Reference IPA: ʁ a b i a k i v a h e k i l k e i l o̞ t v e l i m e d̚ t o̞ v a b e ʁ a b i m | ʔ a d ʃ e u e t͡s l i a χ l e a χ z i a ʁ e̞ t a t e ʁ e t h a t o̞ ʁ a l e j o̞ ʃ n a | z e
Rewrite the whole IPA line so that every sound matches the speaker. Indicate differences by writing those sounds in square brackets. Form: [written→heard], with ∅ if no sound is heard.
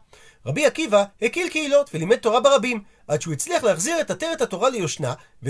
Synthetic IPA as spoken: ʁ a b i a k i v a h e k i l k e i l o̞ t v e l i m e d̚ t o̞ [v→ʁ] a b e ʁ a b i m | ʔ a d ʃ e u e t͡s l i a χ l e a χ z i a ʁ e̞ t a t e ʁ e t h a t o̞ ʁ a l e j o̞ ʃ n a | [z→v] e